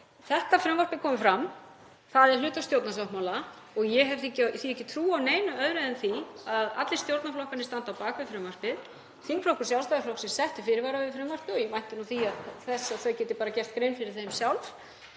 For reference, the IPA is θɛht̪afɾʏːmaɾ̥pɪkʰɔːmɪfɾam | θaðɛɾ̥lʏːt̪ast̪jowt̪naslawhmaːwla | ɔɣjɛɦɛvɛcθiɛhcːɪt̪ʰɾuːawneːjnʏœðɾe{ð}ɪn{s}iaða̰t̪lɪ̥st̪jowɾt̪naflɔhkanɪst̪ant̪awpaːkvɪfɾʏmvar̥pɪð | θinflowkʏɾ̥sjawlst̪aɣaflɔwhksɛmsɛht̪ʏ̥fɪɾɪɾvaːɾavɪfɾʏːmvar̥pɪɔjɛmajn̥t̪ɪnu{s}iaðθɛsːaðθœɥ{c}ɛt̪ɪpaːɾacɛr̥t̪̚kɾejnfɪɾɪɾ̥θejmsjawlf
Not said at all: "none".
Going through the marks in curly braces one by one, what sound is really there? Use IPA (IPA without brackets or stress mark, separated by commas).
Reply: ð, θ, θ, c